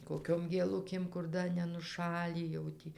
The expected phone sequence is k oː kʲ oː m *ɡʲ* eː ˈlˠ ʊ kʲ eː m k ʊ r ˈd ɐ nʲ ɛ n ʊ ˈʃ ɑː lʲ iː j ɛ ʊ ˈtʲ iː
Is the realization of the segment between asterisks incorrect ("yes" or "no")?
no